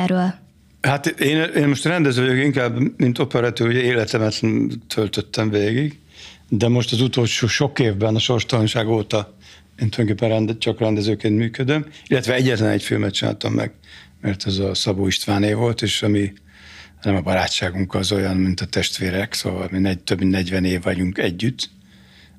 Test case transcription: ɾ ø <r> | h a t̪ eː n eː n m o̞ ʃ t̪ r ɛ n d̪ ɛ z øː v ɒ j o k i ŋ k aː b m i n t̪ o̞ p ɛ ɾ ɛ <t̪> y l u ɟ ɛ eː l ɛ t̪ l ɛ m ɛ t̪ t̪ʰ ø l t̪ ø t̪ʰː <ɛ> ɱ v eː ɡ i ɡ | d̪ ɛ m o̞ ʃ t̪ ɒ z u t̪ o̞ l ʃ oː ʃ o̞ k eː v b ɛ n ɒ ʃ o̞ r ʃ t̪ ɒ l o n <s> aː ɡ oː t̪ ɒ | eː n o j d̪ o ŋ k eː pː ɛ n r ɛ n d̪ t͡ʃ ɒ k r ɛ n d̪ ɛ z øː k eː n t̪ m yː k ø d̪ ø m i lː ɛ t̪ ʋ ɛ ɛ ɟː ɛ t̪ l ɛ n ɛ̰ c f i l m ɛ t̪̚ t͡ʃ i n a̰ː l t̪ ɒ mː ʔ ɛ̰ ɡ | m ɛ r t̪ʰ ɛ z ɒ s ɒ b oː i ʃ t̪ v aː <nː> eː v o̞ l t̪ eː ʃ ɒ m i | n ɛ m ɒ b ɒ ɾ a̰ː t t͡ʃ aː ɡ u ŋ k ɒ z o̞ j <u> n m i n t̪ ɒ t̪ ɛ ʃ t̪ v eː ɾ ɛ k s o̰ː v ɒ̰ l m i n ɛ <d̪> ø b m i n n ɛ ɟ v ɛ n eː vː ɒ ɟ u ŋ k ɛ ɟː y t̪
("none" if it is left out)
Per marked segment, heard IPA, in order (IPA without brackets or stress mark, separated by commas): l, t̪, ɛ, ʃ, n, ɒ, t̪